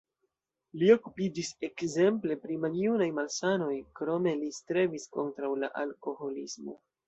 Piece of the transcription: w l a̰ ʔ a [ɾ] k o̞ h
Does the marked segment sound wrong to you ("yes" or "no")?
yes